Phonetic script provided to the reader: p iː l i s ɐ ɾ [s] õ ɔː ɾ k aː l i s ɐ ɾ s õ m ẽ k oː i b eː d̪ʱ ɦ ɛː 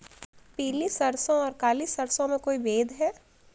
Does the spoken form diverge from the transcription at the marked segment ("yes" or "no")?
no